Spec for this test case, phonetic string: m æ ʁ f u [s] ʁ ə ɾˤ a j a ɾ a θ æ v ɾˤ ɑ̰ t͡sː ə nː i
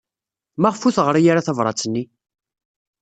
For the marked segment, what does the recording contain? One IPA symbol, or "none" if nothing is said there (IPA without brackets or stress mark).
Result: θ